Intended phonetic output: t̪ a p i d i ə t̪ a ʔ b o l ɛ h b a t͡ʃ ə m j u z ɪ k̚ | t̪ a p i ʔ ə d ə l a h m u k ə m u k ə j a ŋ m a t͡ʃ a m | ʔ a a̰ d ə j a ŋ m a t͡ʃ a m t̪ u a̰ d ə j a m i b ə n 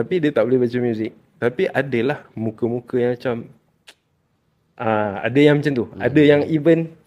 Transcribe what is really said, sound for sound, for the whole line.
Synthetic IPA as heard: t̪ a p i d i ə t̪ a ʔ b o l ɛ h b a t͡ʃ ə m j u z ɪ k̚ | t̪ a p i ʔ a d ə l a h m u k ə m u k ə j a ŋ m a t͡ʃ a m | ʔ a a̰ d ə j a ŋ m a t͡ʃ a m t̪ u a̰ d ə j a ŋ i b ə n